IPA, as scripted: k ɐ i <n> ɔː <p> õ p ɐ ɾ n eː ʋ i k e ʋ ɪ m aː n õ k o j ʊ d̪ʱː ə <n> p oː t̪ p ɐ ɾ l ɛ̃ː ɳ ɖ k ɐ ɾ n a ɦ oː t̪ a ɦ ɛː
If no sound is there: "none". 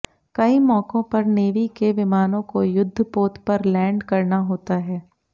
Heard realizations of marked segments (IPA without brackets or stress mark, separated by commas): m, k, none